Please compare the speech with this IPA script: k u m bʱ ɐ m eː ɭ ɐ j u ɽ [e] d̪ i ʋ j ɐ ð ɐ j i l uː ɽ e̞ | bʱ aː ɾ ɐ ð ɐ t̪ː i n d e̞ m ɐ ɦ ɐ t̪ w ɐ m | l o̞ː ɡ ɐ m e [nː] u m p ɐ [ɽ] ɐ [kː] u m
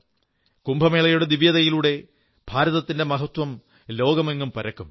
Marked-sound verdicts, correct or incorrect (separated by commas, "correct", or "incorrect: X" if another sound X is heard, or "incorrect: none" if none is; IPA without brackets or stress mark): correct, incorrect: ŋː, incorrect: ɾ, correct